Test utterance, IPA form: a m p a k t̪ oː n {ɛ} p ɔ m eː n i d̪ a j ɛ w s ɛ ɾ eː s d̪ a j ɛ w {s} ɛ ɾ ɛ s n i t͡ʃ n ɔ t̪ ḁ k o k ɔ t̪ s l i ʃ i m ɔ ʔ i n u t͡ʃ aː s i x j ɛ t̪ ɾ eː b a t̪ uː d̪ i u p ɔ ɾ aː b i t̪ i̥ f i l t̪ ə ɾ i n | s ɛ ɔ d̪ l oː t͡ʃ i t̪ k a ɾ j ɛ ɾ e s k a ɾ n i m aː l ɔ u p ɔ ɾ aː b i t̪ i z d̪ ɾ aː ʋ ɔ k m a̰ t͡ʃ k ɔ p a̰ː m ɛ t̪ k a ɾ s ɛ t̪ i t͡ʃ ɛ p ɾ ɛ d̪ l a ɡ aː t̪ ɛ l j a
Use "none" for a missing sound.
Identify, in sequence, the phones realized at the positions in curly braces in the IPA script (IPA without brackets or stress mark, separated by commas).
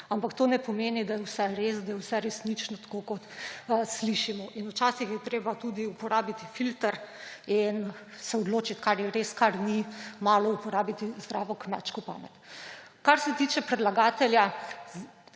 ɛ, s